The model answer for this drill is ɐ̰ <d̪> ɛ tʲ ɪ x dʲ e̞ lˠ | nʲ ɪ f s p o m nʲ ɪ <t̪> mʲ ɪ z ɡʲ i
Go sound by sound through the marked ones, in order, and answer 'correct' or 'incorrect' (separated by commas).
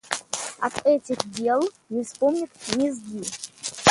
incorrect, correct